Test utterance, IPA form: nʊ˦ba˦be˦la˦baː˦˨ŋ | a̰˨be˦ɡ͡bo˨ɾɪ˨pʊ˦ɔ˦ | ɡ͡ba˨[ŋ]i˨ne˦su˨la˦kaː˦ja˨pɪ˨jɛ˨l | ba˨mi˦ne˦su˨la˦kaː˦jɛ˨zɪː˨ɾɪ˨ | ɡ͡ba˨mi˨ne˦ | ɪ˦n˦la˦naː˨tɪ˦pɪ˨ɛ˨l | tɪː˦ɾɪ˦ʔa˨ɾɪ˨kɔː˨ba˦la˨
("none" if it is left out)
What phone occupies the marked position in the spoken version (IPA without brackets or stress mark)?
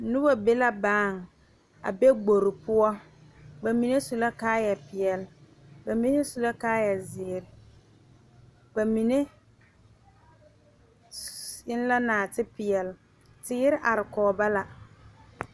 m